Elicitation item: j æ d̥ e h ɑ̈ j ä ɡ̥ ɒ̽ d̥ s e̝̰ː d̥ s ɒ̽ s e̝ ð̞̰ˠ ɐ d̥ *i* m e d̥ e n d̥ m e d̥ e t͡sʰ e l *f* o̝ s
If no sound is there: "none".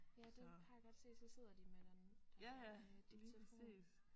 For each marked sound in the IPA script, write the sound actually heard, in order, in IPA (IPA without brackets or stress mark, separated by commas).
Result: i, f